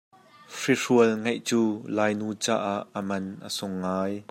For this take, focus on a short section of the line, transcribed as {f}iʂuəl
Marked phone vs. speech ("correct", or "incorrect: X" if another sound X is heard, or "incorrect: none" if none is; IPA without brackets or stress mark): correct